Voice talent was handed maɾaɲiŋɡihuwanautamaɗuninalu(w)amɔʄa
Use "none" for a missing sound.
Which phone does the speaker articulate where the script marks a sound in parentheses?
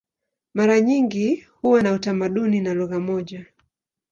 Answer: ɣ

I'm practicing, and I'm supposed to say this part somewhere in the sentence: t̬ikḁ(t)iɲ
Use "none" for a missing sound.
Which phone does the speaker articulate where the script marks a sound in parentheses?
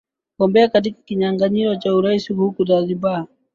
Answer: k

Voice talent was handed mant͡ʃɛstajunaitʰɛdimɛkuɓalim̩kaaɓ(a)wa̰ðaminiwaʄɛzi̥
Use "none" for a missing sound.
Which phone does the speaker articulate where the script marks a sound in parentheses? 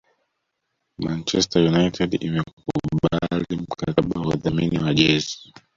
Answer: a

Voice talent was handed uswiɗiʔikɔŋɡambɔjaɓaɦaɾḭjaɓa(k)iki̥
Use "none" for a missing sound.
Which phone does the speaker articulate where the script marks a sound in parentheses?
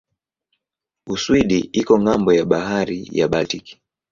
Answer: t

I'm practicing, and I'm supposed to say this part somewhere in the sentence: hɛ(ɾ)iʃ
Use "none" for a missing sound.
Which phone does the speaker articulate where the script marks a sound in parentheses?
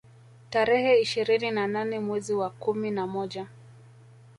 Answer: none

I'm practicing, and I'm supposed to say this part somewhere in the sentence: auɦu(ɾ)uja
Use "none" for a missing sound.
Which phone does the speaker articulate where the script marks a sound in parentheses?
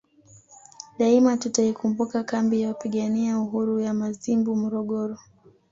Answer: ɾ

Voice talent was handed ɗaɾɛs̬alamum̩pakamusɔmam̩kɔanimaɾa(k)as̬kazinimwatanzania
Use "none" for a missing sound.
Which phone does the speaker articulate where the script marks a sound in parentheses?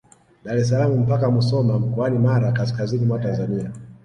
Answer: k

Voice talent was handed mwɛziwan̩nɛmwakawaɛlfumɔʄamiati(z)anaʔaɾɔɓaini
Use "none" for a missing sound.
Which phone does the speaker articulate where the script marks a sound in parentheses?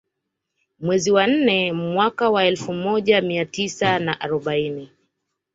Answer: s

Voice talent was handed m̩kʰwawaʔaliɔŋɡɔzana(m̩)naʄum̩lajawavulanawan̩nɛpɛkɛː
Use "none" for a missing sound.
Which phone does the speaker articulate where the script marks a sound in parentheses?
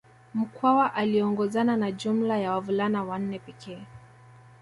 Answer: none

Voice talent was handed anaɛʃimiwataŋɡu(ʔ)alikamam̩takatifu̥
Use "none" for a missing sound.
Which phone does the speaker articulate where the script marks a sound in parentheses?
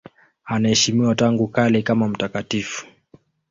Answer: k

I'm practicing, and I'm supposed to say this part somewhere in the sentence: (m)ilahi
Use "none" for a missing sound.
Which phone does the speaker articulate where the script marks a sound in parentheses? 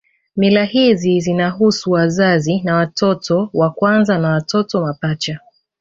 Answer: m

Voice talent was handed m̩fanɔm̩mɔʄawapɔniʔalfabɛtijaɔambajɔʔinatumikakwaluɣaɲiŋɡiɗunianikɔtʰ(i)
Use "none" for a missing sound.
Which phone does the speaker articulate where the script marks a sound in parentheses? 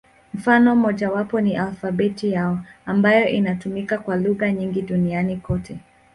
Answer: ɛ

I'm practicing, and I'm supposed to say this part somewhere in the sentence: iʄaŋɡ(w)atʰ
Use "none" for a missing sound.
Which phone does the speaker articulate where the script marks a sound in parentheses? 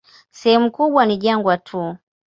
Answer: w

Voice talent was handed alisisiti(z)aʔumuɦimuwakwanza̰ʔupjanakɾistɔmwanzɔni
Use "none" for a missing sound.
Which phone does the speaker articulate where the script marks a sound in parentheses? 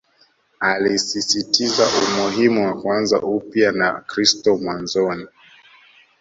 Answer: z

